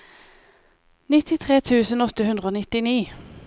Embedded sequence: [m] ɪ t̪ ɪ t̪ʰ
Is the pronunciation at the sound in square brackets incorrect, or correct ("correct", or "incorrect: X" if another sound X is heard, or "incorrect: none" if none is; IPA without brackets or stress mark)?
incorrect: n